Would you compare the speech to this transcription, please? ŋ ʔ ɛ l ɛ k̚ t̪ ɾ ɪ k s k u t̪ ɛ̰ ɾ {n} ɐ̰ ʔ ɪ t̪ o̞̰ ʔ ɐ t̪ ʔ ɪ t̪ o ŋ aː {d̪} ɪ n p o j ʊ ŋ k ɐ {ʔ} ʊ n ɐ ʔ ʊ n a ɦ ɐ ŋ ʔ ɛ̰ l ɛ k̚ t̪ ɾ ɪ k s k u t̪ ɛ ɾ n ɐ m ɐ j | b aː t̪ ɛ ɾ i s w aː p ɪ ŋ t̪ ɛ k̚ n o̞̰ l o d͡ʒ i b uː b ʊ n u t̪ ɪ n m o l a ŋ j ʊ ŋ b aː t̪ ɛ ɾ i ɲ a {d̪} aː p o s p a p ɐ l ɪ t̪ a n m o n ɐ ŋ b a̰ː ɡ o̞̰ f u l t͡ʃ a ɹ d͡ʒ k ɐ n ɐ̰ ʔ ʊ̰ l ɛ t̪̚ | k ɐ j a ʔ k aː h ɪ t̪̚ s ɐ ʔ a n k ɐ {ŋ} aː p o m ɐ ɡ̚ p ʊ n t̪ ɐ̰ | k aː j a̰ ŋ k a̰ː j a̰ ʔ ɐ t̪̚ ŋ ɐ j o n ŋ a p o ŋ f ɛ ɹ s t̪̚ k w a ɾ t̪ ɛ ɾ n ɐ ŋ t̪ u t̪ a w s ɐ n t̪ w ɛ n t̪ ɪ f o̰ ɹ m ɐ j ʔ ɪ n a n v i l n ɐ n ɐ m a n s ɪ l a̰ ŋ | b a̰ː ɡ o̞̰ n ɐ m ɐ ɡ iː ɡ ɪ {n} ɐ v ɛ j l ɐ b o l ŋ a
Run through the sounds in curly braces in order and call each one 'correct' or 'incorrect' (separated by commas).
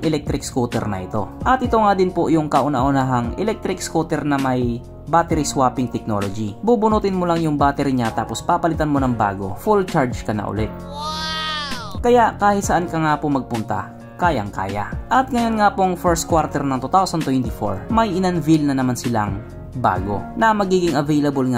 correct, correct, correct, incorrect, correct, incorrect